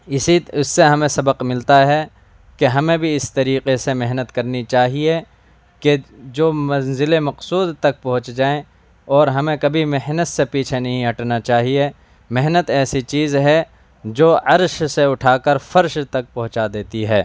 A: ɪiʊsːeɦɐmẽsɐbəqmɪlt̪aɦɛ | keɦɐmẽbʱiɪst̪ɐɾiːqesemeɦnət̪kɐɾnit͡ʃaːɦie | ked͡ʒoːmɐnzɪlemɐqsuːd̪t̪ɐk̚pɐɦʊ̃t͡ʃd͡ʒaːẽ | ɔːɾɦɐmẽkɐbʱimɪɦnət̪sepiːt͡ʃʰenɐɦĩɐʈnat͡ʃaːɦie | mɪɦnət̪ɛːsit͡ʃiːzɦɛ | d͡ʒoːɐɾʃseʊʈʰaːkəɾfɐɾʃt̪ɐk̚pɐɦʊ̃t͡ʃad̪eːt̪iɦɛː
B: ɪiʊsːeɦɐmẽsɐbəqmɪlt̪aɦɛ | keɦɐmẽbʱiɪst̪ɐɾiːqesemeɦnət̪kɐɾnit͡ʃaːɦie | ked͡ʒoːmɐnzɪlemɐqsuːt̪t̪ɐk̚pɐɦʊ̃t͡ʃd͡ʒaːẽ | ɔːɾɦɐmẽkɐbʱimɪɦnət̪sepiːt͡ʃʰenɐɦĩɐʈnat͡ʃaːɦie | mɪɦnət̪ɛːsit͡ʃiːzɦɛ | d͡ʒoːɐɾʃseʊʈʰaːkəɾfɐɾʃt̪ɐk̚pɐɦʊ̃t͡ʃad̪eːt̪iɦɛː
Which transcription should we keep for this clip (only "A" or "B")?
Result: A